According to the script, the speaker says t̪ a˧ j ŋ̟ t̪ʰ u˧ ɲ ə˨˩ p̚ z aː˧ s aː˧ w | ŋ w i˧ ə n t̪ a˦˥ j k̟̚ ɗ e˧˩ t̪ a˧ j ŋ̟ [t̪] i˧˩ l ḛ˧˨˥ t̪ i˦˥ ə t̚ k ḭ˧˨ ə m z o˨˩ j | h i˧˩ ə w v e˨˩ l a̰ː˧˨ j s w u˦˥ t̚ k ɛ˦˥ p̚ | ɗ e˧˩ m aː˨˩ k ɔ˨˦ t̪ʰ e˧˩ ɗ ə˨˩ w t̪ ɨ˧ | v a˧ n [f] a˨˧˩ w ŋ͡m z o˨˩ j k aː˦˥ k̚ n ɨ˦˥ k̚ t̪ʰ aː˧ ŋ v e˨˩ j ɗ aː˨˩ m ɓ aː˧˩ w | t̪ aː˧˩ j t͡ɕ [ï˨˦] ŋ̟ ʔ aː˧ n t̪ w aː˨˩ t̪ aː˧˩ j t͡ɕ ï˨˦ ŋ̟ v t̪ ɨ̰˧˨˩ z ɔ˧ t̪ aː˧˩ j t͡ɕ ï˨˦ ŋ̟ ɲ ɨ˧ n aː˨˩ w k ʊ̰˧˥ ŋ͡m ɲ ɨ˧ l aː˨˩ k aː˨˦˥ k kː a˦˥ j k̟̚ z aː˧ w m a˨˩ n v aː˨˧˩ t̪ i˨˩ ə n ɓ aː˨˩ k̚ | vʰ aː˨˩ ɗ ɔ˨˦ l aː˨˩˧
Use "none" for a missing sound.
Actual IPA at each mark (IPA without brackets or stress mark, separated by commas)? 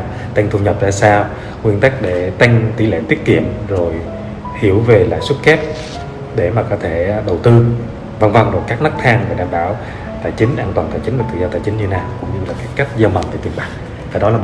t̪, v, ï˨˦